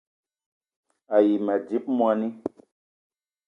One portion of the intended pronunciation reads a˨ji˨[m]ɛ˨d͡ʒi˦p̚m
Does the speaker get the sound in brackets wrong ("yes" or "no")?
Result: no